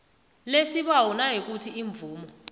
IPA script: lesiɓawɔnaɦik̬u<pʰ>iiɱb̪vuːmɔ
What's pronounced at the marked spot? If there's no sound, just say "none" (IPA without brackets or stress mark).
tʰ